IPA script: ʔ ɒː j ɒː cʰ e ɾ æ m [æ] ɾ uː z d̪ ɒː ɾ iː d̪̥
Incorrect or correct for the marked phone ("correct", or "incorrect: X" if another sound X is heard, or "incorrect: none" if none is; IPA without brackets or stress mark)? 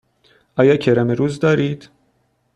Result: incorrect: e